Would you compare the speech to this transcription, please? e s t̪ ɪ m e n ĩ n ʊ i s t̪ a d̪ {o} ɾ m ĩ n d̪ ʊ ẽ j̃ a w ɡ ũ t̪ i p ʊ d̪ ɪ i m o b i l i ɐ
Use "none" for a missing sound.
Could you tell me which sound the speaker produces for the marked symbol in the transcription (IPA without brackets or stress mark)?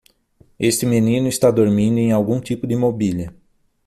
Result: o